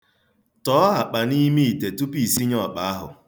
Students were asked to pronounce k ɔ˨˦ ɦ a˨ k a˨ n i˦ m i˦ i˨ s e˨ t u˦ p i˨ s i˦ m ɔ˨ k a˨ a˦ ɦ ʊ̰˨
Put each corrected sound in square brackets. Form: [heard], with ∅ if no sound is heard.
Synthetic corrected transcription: [t] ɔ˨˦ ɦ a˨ [k͡p] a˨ n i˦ m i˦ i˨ [t] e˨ t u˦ p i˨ s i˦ [ɲ] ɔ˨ [k͡p] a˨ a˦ ɦ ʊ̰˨